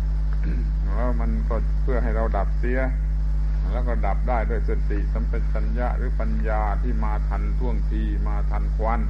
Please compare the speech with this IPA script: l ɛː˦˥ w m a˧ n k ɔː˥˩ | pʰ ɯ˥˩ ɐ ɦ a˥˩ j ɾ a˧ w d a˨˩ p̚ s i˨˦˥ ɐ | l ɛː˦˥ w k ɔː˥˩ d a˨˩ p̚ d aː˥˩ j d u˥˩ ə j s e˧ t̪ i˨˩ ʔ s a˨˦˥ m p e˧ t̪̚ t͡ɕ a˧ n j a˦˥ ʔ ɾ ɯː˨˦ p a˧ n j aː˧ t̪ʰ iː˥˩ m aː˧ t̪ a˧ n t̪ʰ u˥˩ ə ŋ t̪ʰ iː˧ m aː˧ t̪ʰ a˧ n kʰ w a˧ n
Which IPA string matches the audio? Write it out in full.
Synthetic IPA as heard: l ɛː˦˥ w m a˧ n k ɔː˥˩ | pʰ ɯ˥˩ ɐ ɦ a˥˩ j ɾ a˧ w d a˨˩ p̚ s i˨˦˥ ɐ | l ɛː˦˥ w k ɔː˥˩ d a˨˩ p̚ d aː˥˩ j d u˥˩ ə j s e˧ t̪ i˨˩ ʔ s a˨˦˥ m p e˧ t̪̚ t͡ɕ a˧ n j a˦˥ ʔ ɾ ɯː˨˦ p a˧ n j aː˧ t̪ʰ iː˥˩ m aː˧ t̪ʰ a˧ n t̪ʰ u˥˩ ə ŋ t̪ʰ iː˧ m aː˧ t̪ʰ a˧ n kʰ w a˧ n